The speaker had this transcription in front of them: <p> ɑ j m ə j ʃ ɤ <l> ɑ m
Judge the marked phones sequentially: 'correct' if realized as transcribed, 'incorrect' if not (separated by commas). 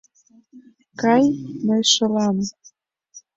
incorrect, correct